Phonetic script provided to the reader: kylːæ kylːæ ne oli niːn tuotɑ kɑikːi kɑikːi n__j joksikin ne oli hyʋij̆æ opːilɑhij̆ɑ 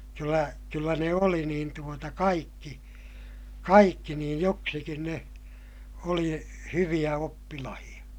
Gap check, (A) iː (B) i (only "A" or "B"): A